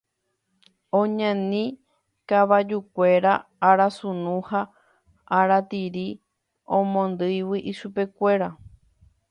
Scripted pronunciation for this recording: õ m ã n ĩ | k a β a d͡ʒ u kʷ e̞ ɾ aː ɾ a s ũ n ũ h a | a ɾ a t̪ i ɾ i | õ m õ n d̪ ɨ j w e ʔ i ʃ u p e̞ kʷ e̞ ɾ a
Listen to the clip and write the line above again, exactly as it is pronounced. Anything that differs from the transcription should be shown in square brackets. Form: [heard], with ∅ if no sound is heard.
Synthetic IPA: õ [ɲ] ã n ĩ | k a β a d͡ʒ u kʷ e̞ ɾ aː ɾ a s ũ n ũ h a | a ɾ a t̪ i ɾ i | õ m õ n d̪ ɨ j w [i] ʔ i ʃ u p e̞ kʷ e̞ ɾ a